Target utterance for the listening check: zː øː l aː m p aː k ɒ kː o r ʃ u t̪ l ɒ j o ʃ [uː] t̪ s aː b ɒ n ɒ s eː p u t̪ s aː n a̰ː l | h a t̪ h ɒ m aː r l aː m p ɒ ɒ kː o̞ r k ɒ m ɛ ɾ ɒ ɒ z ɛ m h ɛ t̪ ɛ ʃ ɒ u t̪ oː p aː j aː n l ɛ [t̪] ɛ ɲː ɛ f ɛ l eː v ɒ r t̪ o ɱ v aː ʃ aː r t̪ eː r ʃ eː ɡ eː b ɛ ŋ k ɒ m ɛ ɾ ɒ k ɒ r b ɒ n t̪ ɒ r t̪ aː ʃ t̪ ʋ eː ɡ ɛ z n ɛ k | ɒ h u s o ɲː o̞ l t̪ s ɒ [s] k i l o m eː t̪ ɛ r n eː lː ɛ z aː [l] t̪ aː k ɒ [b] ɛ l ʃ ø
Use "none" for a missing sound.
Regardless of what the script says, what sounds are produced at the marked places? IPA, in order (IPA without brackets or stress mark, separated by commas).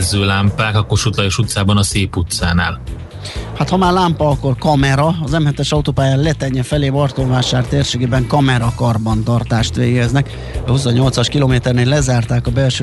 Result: u, t̪, ʃ, r, b